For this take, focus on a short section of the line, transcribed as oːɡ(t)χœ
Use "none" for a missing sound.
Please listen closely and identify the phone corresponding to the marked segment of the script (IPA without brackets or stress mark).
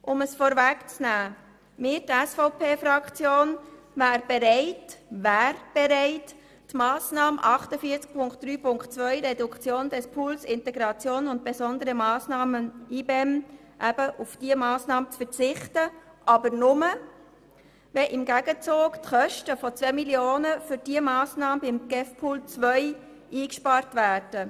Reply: t